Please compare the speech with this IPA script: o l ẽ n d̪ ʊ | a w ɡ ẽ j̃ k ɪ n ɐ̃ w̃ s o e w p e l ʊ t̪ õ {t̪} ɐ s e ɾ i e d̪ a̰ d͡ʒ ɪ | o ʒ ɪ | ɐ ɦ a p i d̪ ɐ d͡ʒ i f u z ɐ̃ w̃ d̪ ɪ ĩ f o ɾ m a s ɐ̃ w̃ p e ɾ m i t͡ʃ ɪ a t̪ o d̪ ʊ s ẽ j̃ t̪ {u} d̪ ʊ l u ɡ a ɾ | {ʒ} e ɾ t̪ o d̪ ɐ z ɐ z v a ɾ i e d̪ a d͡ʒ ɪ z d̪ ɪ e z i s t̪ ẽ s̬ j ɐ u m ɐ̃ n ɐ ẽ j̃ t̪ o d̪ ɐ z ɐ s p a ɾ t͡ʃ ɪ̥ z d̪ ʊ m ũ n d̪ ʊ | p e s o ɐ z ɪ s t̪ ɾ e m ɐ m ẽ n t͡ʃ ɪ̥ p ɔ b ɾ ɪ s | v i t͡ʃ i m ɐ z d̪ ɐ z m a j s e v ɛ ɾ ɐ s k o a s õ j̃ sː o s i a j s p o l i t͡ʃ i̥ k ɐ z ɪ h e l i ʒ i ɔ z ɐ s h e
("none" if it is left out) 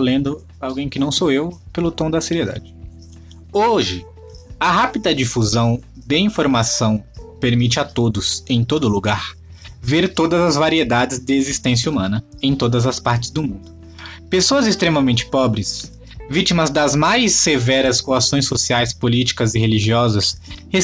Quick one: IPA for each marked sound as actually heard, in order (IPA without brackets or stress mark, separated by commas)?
d̪, o, v